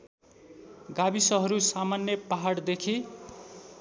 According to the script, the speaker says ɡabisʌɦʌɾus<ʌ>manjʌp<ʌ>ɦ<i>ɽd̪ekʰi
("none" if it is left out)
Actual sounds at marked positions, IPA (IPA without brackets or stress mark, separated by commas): a, a, a